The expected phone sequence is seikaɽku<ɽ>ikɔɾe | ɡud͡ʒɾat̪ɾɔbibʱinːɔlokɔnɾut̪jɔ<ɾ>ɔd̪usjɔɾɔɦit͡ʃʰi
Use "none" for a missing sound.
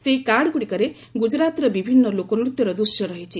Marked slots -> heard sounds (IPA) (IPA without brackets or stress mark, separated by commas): ɽ, ɾ